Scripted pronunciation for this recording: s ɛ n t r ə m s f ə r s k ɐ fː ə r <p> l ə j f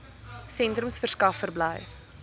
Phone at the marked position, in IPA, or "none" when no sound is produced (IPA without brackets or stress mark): b